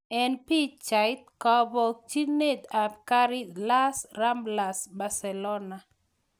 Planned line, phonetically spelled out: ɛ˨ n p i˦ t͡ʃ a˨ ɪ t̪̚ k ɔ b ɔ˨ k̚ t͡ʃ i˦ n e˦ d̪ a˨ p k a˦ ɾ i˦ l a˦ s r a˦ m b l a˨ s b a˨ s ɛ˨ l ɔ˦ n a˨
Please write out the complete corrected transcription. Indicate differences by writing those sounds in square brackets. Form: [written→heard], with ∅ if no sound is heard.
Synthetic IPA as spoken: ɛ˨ n p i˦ t͡ʃ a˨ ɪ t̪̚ k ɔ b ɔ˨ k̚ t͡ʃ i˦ n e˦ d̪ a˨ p k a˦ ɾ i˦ l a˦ s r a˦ m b l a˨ s b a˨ s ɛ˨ l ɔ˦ n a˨